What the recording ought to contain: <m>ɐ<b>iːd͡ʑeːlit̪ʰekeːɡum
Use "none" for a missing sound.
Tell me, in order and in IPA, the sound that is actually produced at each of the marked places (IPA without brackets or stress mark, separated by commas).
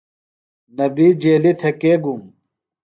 n, b